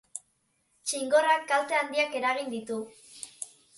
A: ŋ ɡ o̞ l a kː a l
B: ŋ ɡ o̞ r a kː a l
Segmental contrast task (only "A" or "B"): B